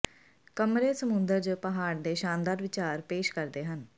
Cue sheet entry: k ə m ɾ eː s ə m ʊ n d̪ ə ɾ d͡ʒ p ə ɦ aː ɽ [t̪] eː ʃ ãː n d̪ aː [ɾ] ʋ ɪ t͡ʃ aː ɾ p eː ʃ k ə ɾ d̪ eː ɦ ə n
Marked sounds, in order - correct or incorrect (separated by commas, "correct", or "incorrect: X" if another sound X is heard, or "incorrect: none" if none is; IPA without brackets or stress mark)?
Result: incorrect: d̪, correct